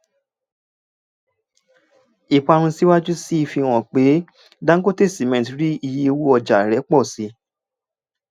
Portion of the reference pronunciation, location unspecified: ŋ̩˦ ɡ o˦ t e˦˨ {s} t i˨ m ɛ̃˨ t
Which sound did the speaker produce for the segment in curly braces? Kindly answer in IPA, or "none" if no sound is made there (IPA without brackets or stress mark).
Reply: s